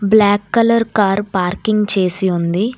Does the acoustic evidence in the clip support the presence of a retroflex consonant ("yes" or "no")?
no